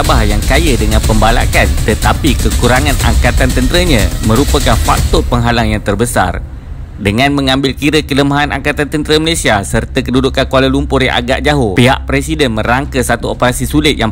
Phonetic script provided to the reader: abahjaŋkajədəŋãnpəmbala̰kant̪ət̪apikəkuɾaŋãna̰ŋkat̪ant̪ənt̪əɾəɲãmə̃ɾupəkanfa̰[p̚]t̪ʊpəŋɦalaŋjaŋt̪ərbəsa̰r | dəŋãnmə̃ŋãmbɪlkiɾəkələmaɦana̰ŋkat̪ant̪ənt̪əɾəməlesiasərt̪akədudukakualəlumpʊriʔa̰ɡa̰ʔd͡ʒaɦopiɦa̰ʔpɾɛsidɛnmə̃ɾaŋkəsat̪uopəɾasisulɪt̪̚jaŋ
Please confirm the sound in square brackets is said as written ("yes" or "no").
no